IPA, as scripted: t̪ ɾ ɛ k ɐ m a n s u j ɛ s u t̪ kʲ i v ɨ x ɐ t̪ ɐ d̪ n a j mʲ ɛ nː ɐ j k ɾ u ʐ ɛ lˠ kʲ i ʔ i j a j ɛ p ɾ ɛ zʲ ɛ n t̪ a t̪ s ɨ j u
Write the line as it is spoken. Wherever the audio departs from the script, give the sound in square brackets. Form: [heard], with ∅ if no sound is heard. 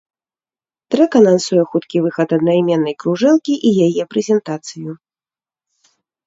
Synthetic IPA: t̪ ɾ ɛ k ɐ [n] a n s u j ɛ [x] u t̪ kʲ i v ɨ x ɐ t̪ ɐ d̪ n a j mʲ ɛ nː ɐ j k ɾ u ʐ ɛ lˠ kʲ i ʔ i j a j ɛ p ɾ ɛ zʲ ɛ n t̪ a t̪ s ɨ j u